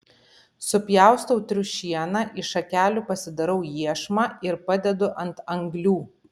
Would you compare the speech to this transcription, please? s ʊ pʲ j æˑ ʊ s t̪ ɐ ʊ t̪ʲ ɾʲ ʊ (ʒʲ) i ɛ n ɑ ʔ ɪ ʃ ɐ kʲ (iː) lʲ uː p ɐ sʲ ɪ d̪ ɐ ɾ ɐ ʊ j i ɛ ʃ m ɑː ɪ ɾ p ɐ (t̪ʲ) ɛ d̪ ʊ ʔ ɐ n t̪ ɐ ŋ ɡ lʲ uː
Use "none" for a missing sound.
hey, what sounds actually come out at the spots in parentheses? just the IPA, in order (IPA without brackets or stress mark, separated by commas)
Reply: ʃʲ, æː, d̪ʲ